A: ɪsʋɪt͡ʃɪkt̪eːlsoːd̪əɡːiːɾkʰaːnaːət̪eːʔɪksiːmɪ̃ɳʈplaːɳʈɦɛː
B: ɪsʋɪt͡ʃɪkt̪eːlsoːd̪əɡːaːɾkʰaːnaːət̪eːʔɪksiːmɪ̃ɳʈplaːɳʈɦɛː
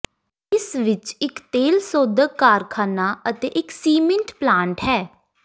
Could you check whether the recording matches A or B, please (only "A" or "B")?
B